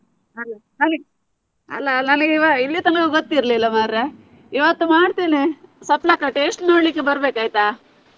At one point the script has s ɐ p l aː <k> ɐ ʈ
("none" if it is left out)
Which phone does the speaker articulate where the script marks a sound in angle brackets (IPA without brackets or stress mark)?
k